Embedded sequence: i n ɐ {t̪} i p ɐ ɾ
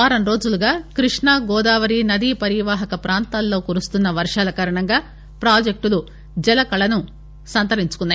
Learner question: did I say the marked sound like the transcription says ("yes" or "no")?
no